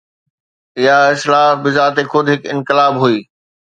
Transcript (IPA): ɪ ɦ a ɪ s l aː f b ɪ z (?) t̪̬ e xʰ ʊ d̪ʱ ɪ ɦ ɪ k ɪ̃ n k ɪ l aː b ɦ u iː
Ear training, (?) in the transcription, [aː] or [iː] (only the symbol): aː